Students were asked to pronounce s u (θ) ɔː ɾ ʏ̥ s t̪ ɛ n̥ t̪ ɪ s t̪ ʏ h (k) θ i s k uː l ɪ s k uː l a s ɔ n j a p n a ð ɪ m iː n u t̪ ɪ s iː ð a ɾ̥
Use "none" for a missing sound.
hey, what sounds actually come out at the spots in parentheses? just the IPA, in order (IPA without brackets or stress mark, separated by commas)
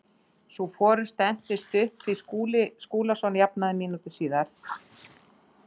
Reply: f, p